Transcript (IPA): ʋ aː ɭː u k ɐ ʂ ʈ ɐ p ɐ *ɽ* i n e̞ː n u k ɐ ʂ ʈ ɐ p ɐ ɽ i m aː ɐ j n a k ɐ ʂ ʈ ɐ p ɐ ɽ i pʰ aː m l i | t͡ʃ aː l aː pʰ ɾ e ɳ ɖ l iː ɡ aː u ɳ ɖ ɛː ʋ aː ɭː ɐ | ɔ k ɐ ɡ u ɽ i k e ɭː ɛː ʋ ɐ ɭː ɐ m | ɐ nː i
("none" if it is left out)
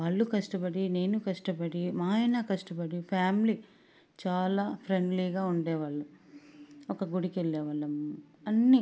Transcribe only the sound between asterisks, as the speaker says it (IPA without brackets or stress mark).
ɽ